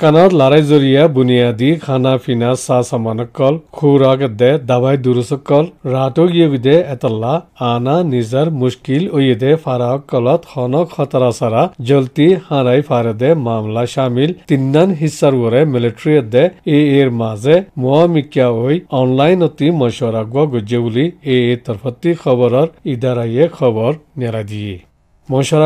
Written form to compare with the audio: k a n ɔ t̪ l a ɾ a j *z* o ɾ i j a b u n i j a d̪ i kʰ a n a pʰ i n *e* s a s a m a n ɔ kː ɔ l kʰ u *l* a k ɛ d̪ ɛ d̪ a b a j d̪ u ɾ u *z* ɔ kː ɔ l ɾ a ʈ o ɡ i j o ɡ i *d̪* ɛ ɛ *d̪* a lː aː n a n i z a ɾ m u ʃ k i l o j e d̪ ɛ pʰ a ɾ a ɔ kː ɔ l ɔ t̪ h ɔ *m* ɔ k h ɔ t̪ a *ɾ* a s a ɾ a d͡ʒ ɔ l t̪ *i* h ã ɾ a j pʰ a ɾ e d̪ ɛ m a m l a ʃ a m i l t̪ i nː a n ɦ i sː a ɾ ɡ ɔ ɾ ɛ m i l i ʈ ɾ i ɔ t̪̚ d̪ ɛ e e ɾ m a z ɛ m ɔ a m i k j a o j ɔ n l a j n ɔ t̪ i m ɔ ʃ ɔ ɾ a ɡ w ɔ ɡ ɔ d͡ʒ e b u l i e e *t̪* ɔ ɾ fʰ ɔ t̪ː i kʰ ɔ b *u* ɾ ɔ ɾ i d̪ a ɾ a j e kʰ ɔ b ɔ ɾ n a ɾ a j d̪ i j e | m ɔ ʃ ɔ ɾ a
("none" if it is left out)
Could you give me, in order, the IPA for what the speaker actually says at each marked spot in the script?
z, a, ɾ, s, d̪, t̪, n, ɾ, i, t̪, ɔ

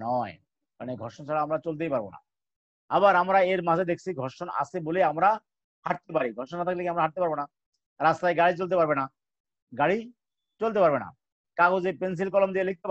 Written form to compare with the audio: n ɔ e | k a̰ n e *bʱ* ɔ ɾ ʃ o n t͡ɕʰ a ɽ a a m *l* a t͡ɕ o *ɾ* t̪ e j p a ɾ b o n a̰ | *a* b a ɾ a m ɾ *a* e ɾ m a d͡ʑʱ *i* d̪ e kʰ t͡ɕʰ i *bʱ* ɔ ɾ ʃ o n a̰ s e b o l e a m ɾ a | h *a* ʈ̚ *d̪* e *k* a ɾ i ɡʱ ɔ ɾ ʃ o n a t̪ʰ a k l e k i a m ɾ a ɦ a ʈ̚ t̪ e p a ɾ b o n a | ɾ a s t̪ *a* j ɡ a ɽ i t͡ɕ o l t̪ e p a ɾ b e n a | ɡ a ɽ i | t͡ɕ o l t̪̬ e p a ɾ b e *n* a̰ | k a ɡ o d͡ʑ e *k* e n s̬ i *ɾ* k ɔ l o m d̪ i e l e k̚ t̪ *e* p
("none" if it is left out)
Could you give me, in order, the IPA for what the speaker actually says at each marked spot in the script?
ɡʱ, ɾ, l, a, a, e, ɡʱ, a, t̪, p, a, n, p, l, e

